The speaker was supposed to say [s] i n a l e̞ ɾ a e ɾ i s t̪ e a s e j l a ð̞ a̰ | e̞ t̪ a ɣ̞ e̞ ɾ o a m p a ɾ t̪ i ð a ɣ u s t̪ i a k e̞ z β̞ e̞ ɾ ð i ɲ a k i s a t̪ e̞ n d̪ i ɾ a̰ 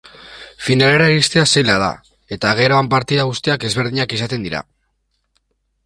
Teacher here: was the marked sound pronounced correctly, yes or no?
no